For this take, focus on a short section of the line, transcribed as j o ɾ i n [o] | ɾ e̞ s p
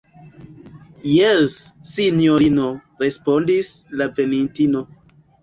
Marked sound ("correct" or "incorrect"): correct